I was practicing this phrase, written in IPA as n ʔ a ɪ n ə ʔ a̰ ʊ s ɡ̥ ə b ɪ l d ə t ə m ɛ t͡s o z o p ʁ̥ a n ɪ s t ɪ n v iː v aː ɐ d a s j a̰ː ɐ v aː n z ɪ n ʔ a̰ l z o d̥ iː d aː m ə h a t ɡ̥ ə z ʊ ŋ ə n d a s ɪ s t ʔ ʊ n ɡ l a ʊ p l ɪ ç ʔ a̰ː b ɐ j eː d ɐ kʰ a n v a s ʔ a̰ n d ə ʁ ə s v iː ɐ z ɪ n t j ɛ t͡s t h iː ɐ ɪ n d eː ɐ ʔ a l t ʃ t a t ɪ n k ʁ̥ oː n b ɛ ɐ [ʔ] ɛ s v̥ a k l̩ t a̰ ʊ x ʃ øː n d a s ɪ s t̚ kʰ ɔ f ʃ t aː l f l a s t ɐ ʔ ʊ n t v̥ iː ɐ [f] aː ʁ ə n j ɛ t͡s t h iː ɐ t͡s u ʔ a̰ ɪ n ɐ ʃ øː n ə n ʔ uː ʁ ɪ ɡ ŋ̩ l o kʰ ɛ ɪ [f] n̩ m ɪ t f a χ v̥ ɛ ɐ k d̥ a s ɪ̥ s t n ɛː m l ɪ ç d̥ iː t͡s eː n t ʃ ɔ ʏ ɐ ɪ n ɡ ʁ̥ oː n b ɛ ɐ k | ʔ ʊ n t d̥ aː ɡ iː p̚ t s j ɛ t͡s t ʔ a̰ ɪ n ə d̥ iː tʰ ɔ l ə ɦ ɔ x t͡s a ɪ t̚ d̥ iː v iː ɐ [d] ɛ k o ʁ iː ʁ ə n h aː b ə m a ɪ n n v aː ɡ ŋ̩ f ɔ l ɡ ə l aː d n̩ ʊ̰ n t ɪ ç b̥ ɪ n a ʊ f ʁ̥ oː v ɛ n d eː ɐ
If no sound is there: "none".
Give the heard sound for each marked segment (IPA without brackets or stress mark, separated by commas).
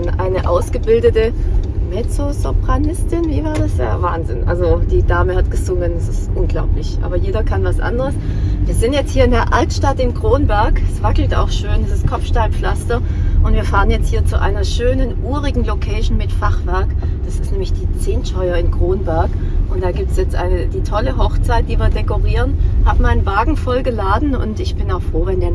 k, f, ʃ, d